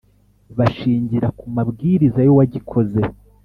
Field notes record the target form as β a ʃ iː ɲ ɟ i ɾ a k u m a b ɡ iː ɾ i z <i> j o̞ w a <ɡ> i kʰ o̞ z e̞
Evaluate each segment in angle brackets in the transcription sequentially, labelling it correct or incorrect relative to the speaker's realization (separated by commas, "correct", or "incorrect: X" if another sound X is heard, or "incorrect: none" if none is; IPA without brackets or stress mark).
incorrect: a, incorrect: ɟ